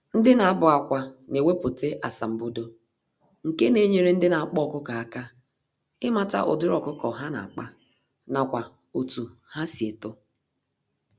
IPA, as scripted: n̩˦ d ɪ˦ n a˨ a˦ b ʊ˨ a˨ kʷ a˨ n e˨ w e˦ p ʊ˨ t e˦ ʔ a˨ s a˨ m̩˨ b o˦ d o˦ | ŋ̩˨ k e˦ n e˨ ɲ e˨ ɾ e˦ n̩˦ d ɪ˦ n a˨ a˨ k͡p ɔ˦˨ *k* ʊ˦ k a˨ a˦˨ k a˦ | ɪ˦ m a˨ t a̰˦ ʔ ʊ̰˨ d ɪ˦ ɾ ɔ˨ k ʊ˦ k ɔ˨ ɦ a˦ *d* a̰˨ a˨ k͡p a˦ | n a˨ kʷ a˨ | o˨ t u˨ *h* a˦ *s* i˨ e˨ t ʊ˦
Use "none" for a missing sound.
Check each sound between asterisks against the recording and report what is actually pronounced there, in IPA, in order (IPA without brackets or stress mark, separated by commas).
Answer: k, n, h, s